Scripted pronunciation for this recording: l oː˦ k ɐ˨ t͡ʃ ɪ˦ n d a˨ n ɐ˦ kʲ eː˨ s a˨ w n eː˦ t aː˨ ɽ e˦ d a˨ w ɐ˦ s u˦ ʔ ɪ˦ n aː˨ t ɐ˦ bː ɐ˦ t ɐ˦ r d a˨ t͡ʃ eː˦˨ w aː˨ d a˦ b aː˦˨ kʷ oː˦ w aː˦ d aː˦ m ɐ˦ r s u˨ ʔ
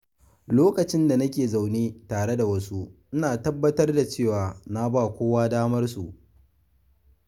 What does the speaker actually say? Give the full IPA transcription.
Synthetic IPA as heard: l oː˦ k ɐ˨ t͡ʃ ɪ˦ n d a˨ n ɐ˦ kʲ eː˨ z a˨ w n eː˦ t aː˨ ɽ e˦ d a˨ w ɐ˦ s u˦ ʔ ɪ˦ n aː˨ t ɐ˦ bː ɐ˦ t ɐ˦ r d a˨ t͡ʃ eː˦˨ w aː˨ n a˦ b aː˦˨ kʷ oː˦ w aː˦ d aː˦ m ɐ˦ r s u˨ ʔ